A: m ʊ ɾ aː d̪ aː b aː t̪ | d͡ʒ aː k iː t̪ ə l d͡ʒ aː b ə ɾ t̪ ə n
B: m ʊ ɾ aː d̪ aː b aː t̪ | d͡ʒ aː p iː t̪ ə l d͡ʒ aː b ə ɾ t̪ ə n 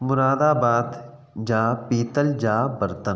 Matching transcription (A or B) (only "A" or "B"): B